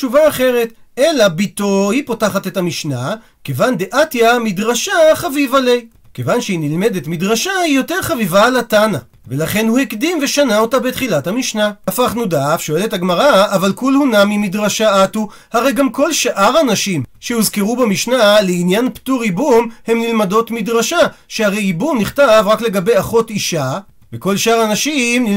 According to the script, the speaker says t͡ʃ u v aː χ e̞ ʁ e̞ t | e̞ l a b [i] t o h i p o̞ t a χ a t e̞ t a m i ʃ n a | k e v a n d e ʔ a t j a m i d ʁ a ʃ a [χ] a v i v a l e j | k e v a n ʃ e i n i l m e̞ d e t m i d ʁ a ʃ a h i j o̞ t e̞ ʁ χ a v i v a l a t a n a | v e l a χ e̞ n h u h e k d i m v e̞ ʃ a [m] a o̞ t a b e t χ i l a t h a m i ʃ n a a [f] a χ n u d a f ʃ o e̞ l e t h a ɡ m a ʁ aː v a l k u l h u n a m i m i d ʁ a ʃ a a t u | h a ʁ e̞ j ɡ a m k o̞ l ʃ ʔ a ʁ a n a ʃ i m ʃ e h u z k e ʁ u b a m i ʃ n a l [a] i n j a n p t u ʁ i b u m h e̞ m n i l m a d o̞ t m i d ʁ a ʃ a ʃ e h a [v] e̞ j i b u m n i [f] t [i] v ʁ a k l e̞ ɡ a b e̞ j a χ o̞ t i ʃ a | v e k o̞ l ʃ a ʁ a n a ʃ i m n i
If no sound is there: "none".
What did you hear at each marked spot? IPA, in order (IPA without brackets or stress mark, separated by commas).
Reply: i, χ, n, f, e, ʁ, χ, a